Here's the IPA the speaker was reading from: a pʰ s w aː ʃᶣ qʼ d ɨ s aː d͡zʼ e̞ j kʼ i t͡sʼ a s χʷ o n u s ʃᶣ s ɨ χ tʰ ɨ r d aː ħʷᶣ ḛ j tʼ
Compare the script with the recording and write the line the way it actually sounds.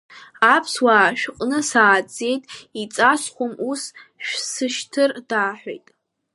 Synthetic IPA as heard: a pʰ s w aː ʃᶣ qʼ n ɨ s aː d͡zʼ e̞ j tʼ i t͡sʼ a s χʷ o m u s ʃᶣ s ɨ ʃ tʰ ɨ r d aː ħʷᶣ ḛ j tʼ